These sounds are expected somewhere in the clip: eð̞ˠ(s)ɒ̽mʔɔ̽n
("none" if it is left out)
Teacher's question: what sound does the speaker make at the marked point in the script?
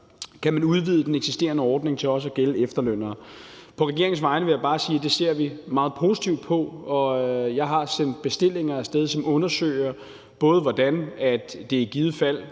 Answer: s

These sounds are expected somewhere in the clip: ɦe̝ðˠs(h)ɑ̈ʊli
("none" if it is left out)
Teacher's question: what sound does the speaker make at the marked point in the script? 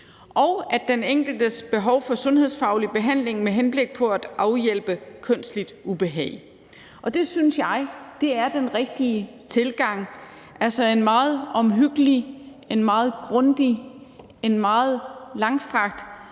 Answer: f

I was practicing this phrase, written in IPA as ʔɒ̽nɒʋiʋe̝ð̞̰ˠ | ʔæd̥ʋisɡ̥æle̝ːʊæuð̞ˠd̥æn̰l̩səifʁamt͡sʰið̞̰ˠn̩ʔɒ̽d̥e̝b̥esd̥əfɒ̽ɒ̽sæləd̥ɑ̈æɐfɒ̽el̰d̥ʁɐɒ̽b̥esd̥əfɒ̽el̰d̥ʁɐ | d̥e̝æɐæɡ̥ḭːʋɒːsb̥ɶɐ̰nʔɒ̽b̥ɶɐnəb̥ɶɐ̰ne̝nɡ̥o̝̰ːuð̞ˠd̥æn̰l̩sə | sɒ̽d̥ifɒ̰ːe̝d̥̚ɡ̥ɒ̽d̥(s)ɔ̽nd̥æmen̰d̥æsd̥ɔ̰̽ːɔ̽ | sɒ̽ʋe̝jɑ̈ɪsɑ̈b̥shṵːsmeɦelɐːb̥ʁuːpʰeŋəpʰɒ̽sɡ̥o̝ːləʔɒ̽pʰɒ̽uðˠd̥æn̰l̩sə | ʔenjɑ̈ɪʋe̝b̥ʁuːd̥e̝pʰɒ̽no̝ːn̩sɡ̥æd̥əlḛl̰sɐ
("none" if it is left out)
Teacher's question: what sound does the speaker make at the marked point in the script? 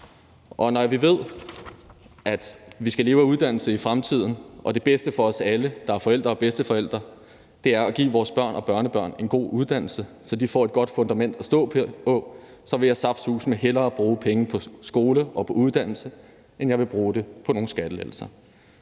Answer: f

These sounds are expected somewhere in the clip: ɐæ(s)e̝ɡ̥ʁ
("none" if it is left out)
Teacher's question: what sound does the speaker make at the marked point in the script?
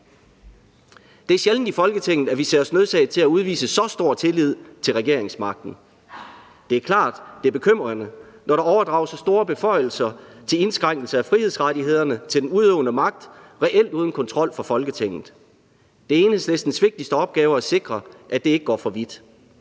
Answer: s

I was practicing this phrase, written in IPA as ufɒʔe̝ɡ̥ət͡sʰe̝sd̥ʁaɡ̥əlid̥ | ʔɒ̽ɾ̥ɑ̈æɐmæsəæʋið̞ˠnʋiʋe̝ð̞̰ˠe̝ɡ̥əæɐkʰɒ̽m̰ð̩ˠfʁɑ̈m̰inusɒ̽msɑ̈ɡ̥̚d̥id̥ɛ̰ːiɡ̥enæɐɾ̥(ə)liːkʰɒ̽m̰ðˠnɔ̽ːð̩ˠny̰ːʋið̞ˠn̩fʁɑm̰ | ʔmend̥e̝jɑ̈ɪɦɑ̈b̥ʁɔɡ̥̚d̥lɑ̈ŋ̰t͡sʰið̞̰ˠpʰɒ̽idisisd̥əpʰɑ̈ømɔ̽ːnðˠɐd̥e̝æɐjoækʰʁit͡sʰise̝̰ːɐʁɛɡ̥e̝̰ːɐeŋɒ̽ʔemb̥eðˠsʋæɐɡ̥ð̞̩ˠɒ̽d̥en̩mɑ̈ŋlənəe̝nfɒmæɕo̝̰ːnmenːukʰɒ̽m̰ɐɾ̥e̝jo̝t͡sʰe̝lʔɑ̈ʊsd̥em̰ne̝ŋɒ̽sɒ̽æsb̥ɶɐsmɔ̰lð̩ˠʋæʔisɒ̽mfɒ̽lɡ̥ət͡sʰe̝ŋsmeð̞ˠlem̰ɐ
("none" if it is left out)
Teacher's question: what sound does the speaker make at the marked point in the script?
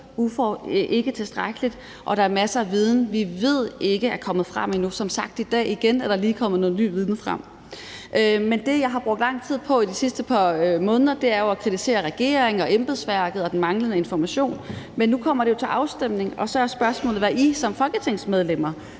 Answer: ɑ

